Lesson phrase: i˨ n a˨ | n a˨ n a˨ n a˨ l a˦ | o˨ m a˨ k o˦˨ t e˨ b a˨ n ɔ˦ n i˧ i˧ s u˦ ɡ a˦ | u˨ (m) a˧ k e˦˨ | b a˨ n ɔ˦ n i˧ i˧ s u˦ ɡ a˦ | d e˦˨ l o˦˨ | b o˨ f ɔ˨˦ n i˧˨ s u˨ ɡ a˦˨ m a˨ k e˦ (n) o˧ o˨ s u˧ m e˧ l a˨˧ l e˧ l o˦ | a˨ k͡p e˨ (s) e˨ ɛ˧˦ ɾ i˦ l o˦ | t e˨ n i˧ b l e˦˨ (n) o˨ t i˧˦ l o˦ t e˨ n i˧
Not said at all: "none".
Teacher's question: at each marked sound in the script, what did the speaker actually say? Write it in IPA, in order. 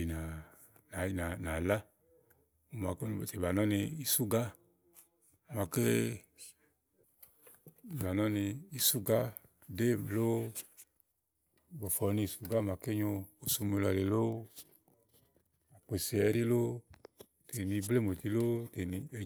m, ɲ, s, m

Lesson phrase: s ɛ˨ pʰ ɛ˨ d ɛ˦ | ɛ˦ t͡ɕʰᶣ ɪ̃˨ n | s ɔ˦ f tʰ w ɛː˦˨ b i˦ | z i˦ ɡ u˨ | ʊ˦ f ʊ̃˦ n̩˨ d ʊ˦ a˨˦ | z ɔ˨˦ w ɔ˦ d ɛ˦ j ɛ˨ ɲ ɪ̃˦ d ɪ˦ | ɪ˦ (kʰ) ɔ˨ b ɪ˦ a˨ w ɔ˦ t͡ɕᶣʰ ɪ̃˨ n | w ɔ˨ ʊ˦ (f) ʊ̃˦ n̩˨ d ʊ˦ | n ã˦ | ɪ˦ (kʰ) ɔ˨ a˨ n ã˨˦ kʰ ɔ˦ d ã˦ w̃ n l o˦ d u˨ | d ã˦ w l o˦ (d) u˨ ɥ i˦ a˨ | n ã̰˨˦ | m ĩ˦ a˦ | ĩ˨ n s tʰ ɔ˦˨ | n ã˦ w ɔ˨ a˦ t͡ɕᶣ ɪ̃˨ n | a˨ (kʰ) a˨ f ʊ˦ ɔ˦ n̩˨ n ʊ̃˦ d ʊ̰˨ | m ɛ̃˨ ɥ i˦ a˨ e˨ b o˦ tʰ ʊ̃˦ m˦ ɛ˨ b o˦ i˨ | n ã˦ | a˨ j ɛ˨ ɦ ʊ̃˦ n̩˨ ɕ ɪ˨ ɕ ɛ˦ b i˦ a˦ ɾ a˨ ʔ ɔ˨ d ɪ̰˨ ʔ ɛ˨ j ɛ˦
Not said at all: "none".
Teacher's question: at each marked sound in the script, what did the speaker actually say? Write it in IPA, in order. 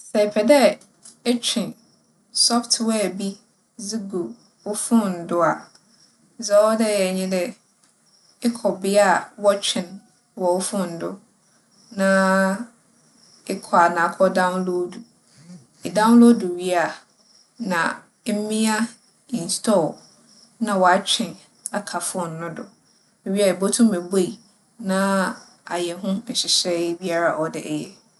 kʰ, f, kʰ, d, kʰ

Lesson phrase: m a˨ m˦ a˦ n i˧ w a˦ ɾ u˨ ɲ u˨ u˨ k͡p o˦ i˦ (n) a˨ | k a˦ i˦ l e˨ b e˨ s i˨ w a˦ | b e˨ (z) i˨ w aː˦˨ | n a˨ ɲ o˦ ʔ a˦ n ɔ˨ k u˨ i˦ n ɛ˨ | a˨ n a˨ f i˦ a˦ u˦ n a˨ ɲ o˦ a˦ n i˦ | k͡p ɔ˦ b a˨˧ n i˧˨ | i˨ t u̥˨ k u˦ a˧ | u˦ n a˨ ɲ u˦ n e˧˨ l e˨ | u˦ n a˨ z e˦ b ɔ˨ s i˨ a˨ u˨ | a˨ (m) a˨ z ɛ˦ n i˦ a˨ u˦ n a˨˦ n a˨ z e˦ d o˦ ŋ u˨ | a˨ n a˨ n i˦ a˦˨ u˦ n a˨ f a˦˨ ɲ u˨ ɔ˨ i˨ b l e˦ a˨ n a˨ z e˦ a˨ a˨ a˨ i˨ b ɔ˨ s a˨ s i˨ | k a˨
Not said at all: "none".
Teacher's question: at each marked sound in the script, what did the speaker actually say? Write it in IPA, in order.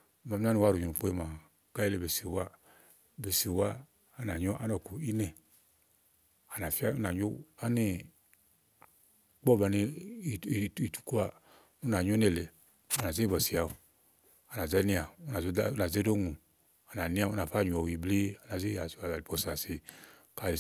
m, s, n

